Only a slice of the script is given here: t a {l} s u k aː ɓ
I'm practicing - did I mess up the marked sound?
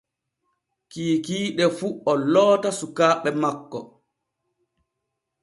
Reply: yes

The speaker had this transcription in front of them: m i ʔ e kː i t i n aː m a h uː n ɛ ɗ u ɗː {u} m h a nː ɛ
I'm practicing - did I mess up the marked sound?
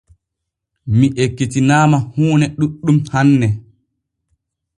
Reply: no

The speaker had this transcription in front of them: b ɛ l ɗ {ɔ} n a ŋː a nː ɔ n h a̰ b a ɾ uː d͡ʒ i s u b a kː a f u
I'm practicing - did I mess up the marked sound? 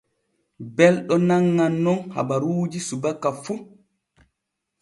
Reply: no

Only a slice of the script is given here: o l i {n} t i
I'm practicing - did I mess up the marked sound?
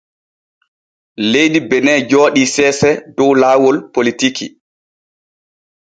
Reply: yes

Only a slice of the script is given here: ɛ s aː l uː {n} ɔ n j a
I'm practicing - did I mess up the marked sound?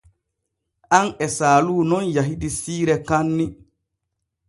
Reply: no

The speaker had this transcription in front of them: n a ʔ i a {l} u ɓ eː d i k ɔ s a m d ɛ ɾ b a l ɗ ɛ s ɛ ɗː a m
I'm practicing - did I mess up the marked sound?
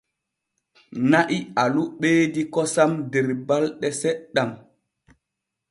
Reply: no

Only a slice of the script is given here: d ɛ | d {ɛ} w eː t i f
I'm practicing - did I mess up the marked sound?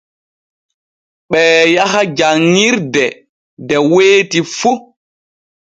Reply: no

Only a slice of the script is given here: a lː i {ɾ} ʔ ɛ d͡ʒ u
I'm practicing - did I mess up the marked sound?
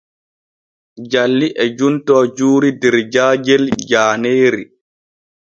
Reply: yes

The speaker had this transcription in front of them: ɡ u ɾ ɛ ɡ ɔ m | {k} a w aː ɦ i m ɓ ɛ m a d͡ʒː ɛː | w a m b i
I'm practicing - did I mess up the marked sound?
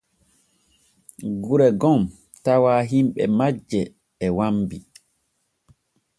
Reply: yes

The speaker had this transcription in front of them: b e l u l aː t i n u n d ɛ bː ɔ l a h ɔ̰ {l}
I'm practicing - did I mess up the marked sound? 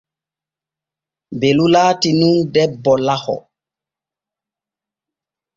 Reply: yes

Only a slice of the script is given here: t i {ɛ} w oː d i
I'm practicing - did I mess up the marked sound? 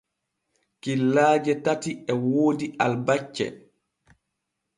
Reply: no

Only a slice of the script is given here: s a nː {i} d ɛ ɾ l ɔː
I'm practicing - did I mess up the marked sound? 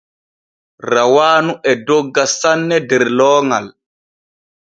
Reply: yes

